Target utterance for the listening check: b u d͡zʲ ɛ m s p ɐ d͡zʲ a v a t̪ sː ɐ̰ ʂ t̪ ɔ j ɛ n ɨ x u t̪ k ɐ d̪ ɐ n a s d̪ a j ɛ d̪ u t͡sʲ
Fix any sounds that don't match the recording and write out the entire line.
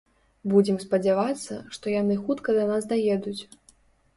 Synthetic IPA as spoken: b u d͡zʲ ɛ m s p ɐ d͡zʲ a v a t̪ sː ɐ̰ ʂ t̪ ɔ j a n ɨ x u t̪ k ɐ d̪ ɐ n a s d̪ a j ɛ d̪ u t͡sʲ